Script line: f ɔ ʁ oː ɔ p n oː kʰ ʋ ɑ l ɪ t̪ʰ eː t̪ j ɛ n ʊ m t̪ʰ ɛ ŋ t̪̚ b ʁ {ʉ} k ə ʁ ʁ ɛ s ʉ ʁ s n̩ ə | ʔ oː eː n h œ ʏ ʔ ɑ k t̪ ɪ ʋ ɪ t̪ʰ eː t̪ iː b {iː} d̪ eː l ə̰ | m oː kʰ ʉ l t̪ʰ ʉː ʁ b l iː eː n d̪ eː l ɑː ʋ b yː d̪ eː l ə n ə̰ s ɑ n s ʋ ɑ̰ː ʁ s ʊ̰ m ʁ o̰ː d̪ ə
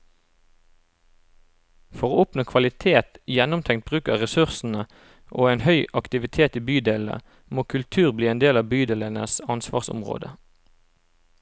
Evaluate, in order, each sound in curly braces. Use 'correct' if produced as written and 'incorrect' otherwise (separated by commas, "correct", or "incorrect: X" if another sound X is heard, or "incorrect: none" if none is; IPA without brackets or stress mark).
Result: incorrect: ʉː, incorrect: yː